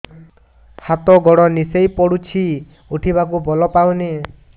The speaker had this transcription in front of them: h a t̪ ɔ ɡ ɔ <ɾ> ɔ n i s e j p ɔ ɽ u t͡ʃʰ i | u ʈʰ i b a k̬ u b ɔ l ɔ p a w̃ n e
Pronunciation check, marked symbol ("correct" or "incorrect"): incorrect